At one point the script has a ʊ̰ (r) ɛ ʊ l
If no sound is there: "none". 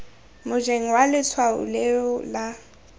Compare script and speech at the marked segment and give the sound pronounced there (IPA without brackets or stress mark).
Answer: l